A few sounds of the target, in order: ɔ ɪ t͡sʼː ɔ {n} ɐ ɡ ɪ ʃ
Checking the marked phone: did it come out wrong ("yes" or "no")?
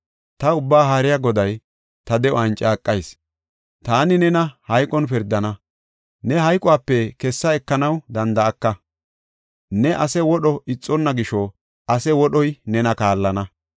yes